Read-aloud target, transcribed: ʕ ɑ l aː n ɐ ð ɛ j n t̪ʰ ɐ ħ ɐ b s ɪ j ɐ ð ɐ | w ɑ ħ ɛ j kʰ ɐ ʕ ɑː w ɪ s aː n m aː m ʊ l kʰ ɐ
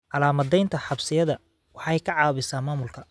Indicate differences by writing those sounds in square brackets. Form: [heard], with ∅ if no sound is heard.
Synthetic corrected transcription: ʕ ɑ l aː [m] ɐ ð ɛ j n t̪ʰ ɐ ħ [ɑ] b s ɪ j ɐ ð ɐ | w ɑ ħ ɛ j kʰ ɐ ʕ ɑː [β] ɪ s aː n m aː m ʊ l kʰ ɐ